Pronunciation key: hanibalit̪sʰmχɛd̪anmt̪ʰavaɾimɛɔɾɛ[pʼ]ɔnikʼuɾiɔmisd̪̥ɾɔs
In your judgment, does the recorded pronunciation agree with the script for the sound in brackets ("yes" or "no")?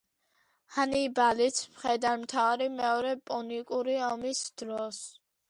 yes